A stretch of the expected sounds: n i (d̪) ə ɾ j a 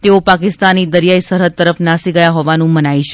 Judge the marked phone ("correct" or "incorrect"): correct